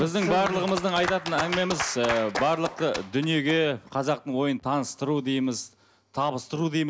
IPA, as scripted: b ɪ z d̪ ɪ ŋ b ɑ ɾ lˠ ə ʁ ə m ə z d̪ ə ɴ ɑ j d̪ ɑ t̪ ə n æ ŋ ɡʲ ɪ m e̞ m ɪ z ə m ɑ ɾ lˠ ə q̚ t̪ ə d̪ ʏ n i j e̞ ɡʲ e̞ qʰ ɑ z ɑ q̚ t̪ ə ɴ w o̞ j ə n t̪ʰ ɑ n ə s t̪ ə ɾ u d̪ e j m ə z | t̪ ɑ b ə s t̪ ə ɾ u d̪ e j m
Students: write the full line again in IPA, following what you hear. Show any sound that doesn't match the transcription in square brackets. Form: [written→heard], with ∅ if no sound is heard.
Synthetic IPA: b ɪ z d̪ ɪ ŋ b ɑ ɾ lˠ ə ʁ ə m ə z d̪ ə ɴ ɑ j [d̪→t̪] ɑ t̪ ə n æ ŋ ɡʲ ɪ m e̞ m ɪ z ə [m→b] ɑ ɾ lˠ ə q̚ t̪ ə d̪ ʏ n i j e̞ ɡʲ e̞ qʰ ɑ z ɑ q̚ t̪ ə ɴ w o̞ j ə n t̪ʰ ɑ n ə s t̪ ə ɾ u d̪ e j m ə z | [t̪→t̪ʰ] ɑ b ə s t̪ ə ɾ u d̪ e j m

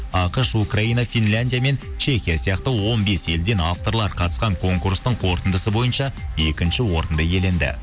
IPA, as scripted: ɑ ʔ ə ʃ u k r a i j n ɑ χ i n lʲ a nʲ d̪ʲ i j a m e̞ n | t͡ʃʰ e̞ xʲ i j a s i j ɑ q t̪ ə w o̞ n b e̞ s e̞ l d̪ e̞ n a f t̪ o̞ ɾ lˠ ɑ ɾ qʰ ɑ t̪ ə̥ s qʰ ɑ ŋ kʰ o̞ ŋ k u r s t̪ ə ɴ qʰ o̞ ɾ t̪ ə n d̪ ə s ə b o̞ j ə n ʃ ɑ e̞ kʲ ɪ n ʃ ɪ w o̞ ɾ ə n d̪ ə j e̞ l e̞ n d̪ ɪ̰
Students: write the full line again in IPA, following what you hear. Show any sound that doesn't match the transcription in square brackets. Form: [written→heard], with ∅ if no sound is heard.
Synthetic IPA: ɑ [ʔ→q] ə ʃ u k r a i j n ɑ [χ→f] i n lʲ a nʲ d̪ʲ i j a m e̞ n | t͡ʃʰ e̞ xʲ i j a s i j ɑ q t̪ ə w o̞ n b e̞ s e̞ l d̪ e̞ n a f t̪ o̞ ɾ lˠ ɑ ɾ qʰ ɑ t̪ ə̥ s [qʰ→q] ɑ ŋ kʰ o̞ ŋ k u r s t̪ ə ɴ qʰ o̞ ɾ t̪ ə n d̪ ə s ə b o̞ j ə n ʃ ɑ e̞ kʲ ɪ n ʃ ɪ w o̞ ɾ ə n d̪ ə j e̞ l e̞ n d̪ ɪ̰

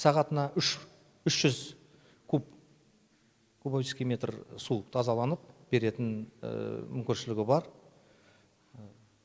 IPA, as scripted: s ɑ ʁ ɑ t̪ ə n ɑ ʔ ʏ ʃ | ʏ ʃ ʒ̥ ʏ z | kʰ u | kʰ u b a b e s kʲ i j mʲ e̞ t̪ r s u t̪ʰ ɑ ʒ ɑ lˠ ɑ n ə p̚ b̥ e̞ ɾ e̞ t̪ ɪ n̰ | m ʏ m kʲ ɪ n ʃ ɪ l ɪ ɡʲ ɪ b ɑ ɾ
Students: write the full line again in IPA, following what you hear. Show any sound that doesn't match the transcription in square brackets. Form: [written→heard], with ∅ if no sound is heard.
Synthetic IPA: s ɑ ʁ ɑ t̪ ə n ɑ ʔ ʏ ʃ | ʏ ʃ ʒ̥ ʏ z | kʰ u | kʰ u b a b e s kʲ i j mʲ e̞ t̪ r s u t̪ʰ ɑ [ʒ→z] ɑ lˠ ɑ n ə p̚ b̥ e̞ ɾ e̞ t̪ ɪ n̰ | m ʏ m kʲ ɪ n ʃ ɪ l ɪ ɡʲ ɪ b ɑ ɾ

